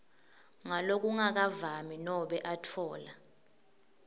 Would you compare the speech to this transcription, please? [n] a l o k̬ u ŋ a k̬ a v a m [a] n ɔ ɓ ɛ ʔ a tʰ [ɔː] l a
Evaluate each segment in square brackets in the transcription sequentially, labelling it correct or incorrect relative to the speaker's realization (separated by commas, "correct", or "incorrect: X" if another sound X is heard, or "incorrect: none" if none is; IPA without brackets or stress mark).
incorrect: ŋ, incorrect: i, correct